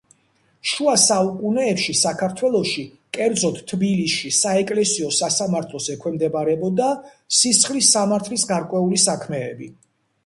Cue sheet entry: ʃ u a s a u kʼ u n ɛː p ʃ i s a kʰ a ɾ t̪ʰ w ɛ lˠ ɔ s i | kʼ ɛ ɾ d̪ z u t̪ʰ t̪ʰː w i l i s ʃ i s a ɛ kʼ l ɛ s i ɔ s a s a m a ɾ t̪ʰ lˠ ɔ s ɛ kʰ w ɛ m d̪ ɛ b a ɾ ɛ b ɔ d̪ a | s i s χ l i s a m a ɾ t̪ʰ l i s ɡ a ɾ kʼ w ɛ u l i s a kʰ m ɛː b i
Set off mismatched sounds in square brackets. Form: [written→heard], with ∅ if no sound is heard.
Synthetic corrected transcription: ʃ u a s a u kʼ u n ɛː p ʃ i s a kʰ a ɾ t̪ʰ w ɛ lˠ ɔ [s→ʃ] i | kʼ ɛ ɾ d̪ z [u→ɔ] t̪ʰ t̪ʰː [w→b] i l i s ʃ i s a ɛ kʼ l ɛ s i ɔ s a s a m a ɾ t̪ʰ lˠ ɔ s ɛ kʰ w ɛ m d̪ ɛ b a ɾ ɛ b ɔ d̪ a | s i s χ l i s a m a ɾ t̪ʰ l i s ɡ a ɾ kʼ w ɛ u l i s a kʰ m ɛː b i